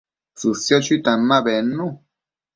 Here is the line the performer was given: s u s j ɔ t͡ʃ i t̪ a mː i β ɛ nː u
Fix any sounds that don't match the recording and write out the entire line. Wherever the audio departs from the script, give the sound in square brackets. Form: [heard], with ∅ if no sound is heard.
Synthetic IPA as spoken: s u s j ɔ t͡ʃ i t̪ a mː [a] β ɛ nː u